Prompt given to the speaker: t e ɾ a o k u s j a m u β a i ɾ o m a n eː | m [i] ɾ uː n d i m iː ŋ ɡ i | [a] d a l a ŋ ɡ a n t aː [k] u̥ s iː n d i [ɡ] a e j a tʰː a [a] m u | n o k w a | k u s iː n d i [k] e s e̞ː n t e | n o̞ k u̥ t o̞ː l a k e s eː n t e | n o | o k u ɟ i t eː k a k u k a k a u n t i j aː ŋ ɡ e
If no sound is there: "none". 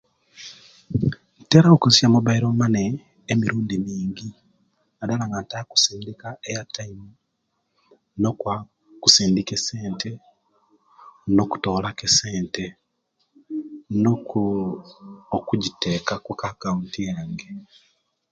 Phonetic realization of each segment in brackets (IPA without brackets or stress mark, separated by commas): i, a, k, k, i, k